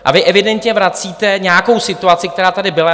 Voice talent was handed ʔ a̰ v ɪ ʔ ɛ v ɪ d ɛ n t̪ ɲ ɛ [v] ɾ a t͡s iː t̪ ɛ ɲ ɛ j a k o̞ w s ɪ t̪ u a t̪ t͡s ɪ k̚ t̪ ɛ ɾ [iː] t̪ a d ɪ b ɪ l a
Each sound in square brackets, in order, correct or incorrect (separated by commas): correct, incorrect